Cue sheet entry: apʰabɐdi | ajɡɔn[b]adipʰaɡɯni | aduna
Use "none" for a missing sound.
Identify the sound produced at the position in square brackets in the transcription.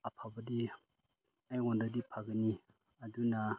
d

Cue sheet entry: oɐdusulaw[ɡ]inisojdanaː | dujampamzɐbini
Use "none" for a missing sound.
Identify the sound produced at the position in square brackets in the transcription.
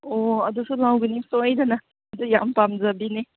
ɡ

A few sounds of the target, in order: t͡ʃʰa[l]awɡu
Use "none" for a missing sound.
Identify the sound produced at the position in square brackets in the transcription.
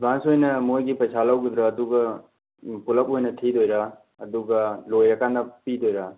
l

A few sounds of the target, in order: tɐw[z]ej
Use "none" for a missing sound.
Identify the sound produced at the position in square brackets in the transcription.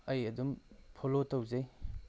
z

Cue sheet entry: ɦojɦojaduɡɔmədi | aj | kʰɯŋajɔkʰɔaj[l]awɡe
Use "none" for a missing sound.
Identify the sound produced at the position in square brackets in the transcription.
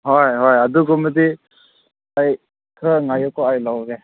l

